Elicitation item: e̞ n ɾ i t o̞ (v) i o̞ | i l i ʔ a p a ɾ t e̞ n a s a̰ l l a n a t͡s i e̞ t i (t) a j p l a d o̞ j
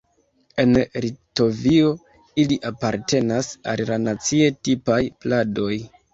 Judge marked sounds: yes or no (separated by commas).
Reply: yes, no